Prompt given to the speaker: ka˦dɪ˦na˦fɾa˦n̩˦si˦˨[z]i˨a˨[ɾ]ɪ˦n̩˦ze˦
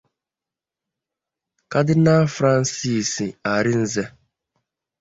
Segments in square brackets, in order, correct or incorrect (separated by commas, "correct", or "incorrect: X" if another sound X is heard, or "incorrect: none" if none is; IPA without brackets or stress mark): incorrect: s, correct